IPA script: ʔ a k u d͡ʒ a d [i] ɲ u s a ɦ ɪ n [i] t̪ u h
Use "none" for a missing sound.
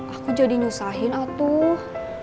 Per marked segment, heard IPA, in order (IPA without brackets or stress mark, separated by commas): i, a